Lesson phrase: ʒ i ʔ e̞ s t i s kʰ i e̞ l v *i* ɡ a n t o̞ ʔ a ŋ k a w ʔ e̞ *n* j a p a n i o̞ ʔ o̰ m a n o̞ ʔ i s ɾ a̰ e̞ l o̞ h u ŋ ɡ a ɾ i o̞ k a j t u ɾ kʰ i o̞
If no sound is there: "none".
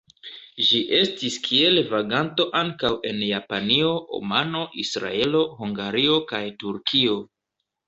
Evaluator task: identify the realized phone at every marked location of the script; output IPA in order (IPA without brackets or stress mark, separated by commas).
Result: a, n